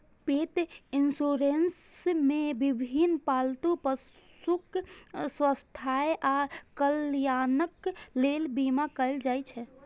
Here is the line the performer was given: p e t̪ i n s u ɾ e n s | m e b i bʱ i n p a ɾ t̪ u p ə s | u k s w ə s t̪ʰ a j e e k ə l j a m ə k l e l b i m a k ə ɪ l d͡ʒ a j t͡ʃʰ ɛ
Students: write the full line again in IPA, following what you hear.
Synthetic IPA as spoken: p e t̪ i n s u ɾ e n s | m e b i bʱ i n p a l t̪ u p ə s | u k s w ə s t̪ʰ a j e a k ə l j a n ə k l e l b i m a k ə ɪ l d͡ʒ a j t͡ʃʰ ɛ